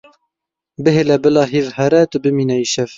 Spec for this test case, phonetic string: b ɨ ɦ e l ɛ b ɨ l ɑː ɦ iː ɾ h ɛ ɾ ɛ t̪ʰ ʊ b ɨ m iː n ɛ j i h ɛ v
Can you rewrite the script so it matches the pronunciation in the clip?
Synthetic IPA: b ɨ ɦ e l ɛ b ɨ l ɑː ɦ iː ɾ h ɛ ɾ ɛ t̪ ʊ b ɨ m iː n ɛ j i ʃ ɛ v